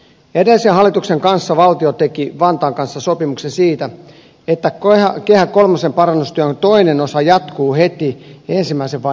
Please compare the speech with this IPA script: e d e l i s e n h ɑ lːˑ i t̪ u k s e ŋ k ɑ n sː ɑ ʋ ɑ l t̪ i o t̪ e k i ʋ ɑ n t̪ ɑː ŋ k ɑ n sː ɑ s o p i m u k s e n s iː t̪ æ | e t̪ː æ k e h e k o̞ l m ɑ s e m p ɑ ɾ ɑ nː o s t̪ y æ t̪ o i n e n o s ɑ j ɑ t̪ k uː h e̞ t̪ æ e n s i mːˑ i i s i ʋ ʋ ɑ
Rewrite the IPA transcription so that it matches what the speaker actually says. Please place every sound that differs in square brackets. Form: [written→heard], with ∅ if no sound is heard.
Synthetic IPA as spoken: e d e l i s e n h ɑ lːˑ i t̪ u k s e ŋ k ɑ n sː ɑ ʋ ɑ l t̪ i o t̪ e k i ʋ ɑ n t̪ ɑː ŋ k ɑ n sː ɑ s o p i m u k s e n s iː t̪ æ | e t̪ː æ k e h [e→æ] k o̞ l m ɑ s e m p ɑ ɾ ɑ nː [o→u] s t̪ y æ t̪ o i n e n o s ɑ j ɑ t̪ k uː h e̞ t̪ [æ→i] e n s i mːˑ [i→æ] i s [i→e] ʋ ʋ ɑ